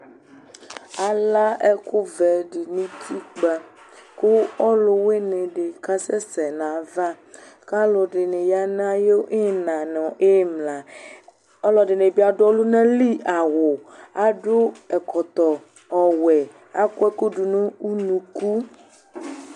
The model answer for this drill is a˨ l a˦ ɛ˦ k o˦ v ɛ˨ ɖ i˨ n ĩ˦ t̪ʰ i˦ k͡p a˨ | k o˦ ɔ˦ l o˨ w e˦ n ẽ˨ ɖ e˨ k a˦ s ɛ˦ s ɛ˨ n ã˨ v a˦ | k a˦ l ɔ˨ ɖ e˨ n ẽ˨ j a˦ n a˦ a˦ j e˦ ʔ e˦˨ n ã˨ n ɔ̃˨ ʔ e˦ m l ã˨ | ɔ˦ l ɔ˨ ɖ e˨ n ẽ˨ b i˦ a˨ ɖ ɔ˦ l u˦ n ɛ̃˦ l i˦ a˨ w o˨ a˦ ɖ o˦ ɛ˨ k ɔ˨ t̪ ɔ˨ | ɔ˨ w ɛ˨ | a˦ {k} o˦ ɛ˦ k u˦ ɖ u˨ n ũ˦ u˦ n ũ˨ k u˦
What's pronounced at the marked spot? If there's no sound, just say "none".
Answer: k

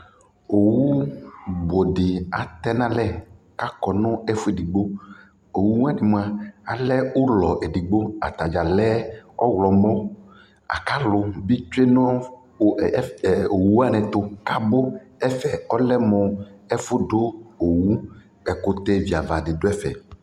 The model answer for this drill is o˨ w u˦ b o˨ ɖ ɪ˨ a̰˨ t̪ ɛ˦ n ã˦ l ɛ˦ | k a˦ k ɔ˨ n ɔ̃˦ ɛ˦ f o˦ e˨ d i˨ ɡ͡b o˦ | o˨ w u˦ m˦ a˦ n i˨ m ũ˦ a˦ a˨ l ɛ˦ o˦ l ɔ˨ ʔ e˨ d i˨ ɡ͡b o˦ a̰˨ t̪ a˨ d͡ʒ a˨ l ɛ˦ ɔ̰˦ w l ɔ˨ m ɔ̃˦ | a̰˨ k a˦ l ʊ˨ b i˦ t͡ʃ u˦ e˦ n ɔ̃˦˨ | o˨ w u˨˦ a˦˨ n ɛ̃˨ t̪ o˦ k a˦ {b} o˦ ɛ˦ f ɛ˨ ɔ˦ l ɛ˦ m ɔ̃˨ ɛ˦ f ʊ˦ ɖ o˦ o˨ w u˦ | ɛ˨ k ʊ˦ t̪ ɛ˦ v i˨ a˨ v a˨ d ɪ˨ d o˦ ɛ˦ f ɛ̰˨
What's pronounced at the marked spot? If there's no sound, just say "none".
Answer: b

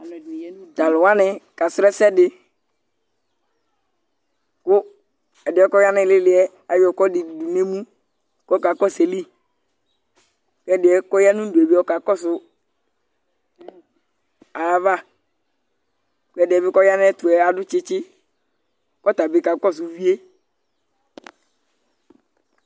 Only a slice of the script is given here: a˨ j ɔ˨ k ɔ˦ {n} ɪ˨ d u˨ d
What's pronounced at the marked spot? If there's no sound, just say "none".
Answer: d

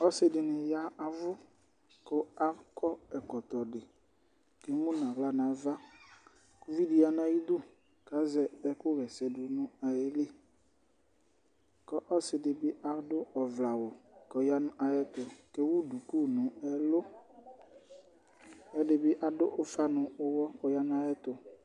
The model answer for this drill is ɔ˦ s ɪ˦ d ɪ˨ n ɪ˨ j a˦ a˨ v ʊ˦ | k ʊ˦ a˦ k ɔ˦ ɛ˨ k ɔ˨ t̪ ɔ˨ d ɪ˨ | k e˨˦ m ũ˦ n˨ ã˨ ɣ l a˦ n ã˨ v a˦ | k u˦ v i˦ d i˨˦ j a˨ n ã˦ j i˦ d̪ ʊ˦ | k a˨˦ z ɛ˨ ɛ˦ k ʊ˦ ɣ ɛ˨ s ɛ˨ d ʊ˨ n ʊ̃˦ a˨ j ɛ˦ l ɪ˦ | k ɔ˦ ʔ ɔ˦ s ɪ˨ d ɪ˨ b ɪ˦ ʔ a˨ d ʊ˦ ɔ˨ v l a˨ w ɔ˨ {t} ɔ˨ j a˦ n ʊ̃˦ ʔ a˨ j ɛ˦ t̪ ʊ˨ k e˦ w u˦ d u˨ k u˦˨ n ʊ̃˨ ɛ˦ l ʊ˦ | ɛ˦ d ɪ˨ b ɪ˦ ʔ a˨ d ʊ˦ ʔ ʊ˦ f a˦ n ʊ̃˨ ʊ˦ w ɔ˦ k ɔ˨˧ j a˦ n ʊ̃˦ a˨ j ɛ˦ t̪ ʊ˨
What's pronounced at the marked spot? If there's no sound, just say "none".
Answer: k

